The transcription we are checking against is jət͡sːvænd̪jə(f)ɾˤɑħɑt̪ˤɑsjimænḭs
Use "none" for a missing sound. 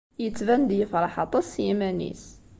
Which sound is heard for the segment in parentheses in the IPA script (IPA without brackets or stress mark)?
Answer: f